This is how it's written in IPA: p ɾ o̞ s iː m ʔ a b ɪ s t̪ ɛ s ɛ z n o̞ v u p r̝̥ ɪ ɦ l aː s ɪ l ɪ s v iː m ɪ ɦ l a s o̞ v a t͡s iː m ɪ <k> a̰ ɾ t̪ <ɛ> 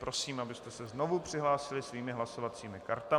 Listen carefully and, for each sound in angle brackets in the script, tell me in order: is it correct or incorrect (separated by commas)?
correct, incorrect